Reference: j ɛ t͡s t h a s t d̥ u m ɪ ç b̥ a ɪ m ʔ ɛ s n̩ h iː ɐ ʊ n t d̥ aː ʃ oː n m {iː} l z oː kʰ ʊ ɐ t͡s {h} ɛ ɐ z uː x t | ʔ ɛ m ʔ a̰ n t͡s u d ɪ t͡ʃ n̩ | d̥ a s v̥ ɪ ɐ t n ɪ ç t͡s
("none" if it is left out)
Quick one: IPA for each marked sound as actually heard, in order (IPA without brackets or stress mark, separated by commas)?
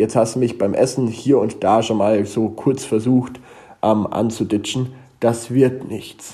aː, f